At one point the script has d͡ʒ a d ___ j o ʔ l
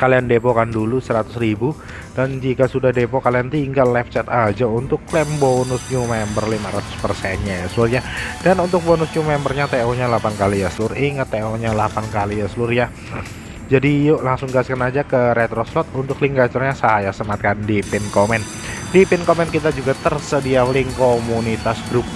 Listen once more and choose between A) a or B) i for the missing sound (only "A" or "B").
B